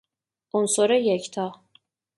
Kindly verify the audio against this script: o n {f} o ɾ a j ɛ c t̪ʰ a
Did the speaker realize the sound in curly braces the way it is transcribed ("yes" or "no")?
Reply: no